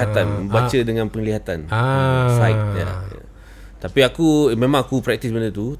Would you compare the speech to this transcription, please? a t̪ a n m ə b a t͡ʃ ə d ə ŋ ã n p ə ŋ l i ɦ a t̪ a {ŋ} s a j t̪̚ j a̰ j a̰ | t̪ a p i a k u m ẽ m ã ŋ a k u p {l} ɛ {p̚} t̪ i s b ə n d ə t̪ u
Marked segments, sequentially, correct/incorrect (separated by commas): incorrect, incorrect, incorrect